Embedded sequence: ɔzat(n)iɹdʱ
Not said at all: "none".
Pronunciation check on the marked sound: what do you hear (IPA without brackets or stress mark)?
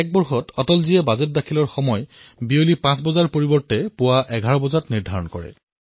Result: n